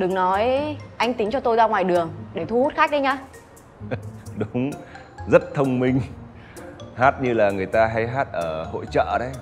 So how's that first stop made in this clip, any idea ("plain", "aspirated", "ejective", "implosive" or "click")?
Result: implosive